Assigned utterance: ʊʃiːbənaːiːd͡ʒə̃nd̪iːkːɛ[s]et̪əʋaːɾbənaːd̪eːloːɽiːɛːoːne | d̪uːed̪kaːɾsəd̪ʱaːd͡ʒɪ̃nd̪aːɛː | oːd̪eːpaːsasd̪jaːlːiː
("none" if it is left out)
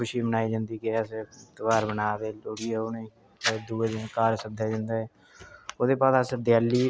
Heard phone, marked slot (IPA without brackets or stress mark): s